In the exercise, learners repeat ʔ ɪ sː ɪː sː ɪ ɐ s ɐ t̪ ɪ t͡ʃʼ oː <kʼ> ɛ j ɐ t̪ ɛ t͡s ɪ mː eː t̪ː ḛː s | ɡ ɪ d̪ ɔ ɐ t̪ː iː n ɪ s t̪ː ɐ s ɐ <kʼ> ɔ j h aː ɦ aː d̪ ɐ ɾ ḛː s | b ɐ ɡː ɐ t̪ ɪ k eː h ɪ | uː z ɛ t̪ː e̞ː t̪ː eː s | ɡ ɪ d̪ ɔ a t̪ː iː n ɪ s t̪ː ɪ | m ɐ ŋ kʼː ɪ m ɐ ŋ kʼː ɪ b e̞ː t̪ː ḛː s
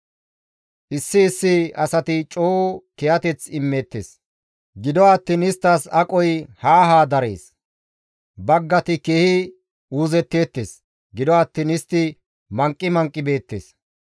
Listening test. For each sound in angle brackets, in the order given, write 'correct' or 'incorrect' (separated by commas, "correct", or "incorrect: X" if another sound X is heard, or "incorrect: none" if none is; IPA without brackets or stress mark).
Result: incorrect: k, correct